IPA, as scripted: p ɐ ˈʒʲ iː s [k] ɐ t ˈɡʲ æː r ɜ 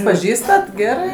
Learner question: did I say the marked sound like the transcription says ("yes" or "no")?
no